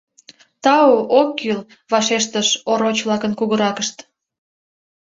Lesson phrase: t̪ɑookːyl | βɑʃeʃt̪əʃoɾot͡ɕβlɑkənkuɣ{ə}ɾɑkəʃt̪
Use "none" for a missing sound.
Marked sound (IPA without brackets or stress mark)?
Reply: ə